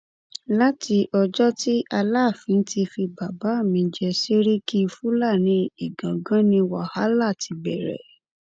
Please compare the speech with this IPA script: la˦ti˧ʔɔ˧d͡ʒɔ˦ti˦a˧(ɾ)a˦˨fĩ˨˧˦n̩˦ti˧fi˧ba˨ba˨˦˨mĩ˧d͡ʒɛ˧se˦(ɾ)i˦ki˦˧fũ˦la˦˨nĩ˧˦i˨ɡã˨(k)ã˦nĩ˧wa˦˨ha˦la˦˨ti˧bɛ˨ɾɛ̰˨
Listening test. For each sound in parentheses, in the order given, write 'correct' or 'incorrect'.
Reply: incorrect, correct, incorrect

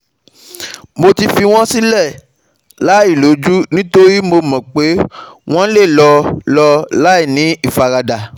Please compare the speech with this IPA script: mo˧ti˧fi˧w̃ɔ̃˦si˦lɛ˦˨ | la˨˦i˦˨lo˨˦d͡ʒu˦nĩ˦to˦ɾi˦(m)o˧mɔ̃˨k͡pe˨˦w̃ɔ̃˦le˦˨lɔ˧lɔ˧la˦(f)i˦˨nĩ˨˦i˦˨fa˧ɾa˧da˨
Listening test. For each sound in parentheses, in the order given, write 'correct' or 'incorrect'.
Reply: correct, incorrect

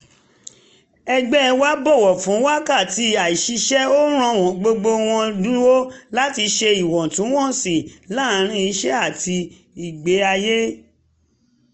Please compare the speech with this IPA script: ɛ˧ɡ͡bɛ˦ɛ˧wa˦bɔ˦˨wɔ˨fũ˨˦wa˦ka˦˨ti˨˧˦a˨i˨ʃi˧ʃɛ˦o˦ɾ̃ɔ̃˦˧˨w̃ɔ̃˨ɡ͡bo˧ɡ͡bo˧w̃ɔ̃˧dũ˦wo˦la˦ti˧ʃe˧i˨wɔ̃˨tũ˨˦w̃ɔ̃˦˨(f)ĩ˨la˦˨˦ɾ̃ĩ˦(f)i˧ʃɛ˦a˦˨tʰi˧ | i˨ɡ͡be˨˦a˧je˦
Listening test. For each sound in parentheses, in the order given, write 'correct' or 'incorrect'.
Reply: incorrect, incorrect

